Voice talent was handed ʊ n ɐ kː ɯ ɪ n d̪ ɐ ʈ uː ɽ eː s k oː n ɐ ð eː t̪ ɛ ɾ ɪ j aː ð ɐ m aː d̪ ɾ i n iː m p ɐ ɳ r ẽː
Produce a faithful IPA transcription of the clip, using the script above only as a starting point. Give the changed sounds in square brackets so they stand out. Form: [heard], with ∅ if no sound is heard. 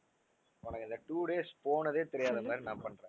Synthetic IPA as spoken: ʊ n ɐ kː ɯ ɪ n d̪ ɐ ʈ uː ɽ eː s [p] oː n ɐ ð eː t̪ ɛ ɾ ɪ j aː ð ɐ m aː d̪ ɾ i n [aː] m p ɐ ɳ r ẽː